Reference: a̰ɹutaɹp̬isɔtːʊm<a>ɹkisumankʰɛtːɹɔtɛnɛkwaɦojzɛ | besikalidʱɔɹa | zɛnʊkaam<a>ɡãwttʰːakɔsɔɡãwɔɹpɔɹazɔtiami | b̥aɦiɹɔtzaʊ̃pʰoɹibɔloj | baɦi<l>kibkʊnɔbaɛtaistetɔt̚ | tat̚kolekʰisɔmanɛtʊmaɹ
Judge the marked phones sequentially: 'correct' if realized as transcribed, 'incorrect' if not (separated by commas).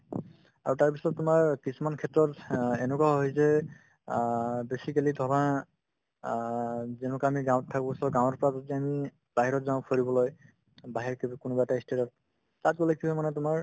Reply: correct, incorrect, incorrect